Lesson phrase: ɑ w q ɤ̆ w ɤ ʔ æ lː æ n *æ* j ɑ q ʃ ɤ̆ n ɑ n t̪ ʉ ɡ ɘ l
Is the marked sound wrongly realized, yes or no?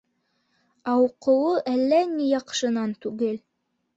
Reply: yes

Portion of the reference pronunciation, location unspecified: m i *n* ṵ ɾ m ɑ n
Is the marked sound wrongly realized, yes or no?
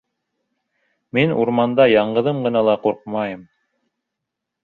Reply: no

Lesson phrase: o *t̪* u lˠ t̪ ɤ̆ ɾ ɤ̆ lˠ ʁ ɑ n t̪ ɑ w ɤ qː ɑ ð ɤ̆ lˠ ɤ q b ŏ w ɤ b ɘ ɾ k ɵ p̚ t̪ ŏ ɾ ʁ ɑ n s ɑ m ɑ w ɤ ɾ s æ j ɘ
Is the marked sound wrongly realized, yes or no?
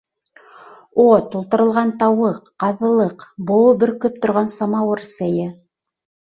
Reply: no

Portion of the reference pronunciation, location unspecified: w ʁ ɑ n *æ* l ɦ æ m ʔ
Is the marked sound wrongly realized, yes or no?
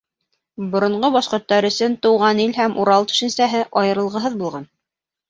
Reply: yes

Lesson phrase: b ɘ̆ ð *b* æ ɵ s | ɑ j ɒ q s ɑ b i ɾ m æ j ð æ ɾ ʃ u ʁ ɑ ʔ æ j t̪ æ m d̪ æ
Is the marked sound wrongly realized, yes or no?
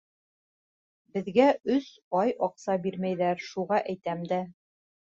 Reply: yes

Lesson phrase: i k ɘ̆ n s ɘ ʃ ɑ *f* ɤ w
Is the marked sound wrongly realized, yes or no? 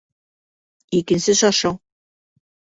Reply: yes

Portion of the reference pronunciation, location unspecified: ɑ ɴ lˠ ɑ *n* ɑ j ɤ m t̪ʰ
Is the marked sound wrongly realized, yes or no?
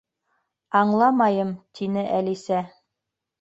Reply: yes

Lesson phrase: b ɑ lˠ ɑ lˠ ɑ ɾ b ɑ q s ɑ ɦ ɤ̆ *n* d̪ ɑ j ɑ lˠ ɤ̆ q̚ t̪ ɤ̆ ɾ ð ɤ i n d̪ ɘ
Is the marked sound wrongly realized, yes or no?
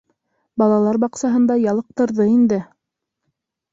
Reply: no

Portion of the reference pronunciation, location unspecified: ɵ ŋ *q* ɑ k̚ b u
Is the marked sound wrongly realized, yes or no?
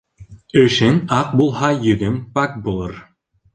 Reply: yes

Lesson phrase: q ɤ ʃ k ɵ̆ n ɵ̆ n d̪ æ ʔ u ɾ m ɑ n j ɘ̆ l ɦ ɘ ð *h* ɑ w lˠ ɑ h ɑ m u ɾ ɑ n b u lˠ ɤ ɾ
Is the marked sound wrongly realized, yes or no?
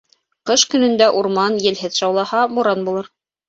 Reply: yes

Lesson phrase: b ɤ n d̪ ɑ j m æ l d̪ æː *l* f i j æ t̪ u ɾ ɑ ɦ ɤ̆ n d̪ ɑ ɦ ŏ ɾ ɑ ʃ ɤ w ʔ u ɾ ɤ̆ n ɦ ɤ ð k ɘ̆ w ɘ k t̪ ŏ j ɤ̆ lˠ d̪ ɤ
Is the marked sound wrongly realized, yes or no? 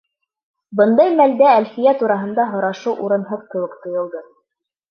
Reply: no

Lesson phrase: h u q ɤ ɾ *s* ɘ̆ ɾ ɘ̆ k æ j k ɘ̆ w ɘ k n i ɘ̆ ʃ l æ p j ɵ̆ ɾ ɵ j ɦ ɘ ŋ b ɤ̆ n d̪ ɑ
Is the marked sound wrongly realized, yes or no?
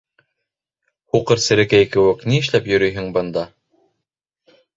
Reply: no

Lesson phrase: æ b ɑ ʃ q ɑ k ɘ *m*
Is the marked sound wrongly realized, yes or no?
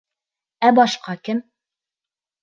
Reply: no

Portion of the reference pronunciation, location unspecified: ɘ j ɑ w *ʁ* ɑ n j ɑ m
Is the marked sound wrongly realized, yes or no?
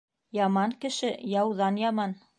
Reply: yes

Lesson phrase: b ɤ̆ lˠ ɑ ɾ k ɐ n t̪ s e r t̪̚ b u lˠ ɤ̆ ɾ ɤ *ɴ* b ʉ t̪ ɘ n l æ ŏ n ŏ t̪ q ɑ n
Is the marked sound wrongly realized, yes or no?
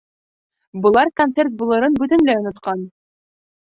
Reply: yes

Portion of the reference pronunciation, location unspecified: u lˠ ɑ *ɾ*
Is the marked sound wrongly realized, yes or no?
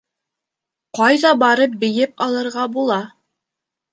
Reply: yes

